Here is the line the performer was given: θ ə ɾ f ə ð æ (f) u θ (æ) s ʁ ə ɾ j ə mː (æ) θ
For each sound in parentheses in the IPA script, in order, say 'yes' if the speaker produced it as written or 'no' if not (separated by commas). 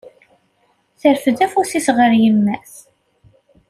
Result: yes, no, yes